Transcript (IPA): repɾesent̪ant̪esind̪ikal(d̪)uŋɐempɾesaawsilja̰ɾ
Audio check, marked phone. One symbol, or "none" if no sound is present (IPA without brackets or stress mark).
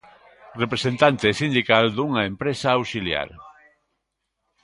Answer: d̪